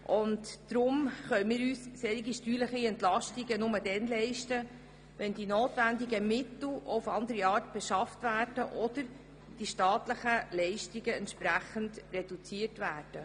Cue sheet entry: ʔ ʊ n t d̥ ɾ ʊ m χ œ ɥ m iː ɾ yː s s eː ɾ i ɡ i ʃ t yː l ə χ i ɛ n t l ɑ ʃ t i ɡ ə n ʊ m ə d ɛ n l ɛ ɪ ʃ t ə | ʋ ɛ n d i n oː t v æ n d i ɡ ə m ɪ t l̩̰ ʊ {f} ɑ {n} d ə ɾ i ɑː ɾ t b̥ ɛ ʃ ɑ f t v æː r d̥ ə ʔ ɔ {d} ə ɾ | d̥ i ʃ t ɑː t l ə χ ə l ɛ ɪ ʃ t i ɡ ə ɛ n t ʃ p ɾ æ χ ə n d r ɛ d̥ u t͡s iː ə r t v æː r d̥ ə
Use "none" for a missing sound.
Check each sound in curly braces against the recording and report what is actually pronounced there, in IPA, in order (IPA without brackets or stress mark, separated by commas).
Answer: f, n, d